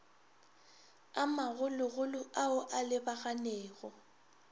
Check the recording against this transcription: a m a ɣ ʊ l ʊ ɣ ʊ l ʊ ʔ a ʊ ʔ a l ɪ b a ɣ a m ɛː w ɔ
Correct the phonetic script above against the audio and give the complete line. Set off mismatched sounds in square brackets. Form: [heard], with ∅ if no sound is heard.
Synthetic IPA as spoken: a m a ɣ ʊ l ʊ ɣ ʊ l ʊ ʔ a ʊ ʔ a l ɪ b a ɣ a [n] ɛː [ɣ] ɔ